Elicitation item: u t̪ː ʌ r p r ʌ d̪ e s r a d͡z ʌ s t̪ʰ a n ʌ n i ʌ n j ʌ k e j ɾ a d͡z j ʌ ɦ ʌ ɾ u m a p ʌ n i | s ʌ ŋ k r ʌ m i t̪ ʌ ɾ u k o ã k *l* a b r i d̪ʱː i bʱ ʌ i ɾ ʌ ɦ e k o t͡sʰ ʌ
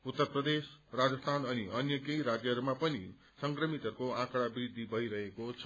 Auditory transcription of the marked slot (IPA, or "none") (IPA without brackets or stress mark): ɽ